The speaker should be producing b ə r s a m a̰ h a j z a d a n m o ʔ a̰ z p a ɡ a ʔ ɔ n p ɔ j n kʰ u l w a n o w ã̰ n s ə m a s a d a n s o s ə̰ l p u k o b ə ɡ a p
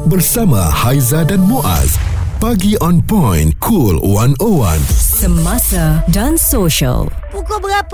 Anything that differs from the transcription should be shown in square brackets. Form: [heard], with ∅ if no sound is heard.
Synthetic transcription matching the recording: b ə r s a m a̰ h a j z a d a n m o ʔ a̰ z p a ɡ [i] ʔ ɔ n p ɔ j n kʰ u l w a n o w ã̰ n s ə m a s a d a n s o [ʃ] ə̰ l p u k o b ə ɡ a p